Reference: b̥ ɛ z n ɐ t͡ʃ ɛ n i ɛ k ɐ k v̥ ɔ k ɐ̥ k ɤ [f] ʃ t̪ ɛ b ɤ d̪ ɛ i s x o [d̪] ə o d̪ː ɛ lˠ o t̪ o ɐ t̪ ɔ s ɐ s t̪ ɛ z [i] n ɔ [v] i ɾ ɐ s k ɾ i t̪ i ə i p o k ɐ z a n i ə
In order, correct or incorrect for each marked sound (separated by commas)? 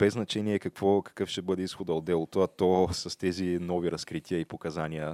correct, correct, correct, correct